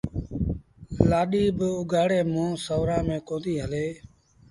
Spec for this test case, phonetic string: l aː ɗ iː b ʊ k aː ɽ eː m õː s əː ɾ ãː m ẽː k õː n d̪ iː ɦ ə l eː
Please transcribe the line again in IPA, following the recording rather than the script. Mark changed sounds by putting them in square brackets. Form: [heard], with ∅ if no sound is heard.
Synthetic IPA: l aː ɗ iː b ʊ [ɡ] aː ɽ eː m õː s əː ɾ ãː m ẽː k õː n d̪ iː ɦ ə l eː